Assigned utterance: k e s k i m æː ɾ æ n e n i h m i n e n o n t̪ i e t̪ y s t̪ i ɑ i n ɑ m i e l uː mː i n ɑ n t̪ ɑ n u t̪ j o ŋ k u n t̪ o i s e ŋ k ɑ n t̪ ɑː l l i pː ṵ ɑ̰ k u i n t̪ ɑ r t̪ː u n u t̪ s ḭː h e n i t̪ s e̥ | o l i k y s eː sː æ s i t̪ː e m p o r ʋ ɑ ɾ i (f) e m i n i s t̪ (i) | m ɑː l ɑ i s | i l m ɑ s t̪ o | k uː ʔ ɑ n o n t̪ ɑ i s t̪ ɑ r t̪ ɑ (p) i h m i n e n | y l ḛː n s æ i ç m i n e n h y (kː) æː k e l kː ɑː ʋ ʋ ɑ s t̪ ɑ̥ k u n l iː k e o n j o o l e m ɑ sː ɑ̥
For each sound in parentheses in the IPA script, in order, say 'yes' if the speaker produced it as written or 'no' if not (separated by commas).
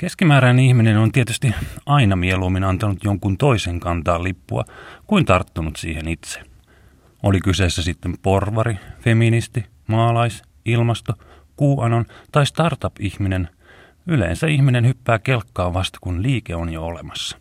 yes, yes, yes, no